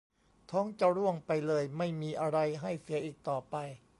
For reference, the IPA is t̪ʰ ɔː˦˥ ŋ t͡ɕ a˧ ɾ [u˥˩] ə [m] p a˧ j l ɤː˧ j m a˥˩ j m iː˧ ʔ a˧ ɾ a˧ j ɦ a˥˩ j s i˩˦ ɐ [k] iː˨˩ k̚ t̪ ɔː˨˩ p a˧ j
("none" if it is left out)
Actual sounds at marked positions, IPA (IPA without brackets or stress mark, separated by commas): u˥˩, ŋ, ʔ